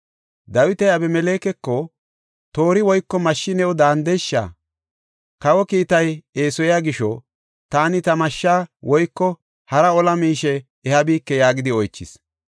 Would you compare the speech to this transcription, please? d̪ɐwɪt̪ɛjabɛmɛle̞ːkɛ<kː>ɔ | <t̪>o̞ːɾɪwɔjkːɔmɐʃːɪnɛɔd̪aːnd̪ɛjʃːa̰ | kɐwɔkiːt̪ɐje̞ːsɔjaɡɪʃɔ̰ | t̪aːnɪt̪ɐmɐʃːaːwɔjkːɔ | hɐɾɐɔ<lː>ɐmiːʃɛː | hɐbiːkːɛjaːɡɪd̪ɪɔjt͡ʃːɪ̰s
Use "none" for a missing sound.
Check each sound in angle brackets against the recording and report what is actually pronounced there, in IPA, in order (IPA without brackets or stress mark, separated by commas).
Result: kː, t̪, l